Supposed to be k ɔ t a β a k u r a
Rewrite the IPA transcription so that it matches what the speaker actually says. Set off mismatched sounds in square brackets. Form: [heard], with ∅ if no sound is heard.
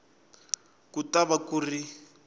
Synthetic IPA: k [u] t a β a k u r [i]